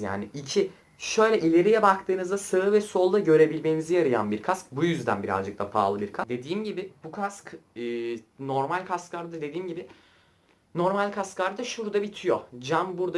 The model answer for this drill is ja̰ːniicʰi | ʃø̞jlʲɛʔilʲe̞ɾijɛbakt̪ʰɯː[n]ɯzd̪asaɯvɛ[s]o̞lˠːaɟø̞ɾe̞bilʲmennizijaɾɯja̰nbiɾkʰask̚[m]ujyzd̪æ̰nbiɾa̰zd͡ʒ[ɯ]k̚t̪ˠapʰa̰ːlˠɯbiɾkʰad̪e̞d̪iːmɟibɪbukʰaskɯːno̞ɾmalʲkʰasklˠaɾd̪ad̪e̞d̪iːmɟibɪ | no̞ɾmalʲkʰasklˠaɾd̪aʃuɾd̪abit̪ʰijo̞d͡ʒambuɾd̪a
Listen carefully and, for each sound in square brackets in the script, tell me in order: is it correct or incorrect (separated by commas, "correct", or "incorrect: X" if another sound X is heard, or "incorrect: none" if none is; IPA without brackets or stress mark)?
correct, correct, incorrect: b, correct